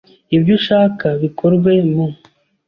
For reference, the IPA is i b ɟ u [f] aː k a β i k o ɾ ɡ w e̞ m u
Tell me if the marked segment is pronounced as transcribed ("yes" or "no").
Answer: no